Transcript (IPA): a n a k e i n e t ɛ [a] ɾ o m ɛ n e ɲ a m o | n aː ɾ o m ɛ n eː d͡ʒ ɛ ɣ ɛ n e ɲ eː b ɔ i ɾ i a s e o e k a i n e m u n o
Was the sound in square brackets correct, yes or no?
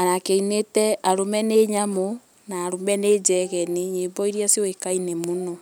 yes